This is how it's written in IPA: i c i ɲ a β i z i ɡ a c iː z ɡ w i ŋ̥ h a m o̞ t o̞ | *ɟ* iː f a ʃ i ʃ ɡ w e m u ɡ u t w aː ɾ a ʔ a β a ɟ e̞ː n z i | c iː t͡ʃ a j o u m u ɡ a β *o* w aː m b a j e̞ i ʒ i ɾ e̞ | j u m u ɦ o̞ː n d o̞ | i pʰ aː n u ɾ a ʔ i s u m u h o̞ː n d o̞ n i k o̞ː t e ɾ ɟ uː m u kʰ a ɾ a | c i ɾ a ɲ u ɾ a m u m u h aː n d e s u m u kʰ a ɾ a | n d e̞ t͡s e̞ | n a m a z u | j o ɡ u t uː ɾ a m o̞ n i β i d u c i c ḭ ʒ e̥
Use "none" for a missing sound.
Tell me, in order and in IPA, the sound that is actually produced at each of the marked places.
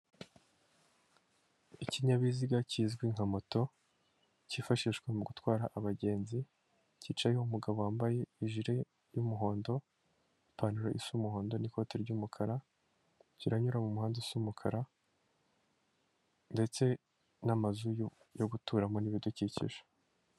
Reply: c, o

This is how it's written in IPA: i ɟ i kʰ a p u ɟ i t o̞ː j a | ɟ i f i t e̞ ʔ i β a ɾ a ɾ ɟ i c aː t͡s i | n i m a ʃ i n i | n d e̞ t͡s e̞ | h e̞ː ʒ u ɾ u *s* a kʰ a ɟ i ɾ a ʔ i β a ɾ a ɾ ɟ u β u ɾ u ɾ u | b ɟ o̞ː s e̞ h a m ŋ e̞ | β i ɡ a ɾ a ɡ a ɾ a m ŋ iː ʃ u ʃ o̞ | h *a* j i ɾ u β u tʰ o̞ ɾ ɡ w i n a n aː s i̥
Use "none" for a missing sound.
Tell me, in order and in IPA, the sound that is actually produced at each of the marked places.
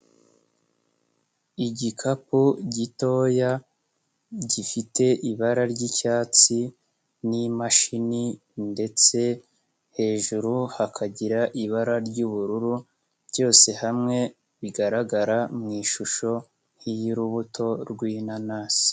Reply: h, i

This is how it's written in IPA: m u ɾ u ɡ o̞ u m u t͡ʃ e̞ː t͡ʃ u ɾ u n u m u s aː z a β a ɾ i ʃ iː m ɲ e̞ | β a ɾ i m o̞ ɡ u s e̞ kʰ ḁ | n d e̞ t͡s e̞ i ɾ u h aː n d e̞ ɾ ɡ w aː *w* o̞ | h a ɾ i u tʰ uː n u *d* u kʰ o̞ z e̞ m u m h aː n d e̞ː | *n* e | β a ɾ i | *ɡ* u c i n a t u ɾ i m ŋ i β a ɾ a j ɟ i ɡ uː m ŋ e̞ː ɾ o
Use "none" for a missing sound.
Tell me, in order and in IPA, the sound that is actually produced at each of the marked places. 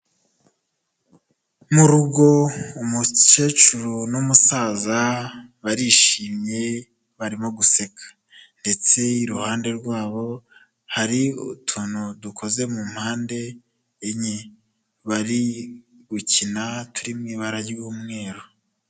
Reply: β, d, ɲ, ɡ

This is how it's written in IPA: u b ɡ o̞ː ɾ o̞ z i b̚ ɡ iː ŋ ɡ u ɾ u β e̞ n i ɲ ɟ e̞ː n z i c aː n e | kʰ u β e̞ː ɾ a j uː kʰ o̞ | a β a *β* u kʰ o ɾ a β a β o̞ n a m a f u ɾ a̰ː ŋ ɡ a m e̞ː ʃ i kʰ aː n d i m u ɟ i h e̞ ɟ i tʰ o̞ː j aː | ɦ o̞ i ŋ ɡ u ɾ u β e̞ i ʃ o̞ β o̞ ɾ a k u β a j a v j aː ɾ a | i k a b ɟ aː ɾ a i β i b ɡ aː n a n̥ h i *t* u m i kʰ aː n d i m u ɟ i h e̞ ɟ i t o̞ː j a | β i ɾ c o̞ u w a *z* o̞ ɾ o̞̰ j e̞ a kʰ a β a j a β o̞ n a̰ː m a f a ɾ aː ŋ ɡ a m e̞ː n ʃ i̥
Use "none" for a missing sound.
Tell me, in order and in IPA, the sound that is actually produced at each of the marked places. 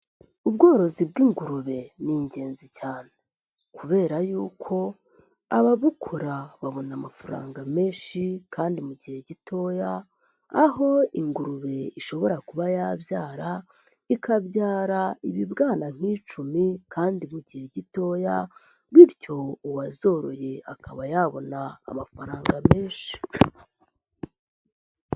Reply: β, t͡ʃ, z

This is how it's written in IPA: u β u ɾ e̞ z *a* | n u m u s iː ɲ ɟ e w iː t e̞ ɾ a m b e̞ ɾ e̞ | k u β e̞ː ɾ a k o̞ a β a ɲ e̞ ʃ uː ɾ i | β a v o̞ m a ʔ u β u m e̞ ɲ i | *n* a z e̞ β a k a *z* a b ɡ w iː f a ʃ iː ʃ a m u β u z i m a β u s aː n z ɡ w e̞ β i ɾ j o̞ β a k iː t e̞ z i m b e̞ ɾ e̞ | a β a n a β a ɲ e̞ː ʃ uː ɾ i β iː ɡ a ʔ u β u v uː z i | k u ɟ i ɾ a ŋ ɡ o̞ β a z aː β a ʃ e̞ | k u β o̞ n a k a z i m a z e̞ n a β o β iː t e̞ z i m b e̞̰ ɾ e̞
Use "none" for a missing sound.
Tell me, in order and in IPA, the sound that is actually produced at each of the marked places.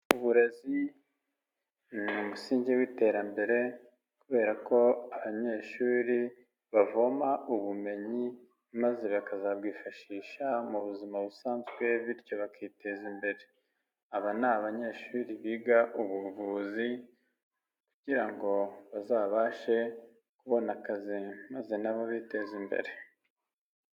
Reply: i, m, z

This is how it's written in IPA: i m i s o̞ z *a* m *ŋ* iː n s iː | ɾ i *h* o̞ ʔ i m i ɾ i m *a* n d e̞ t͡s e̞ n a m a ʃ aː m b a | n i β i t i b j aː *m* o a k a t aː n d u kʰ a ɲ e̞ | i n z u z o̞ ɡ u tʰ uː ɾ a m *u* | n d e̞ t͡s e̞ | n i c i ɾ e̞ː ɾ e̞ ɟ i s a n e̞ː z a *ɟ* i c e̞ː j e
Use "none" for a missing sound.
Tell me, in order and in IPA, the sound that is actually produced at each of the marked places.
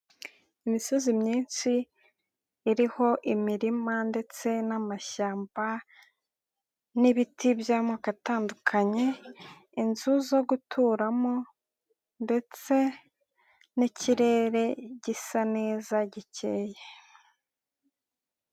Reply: i, ɲ, h, a, m, o, ɟ

